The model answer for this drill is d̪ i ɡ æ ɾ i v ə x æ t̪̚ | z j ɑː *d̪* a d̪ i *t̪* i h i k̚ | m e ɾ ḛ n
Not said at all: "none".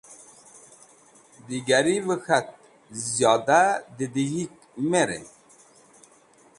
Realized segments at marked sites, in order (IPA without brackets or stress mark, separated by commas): d̪, d̪